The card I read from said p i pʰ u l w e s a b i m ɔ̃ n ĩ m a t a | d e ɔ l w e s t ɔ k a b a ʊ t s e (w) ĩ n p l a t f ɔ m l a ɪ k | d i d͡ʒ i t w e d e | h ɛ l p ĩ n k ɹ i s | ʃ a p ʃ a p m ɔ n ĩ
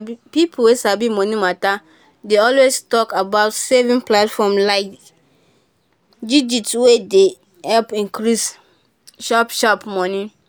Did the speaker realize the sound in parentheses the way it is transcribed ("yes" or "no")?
no